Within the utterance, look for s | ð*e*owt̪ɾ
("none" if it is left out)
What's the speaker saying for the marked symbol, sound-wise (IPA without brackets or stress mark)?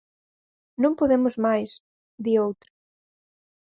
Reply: i